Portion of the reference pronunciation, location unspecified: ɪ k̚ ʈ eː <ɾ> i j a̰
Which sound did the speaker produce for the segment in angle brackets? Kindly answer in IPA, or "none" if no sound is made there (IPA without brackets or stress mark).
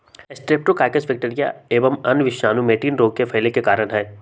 ɾ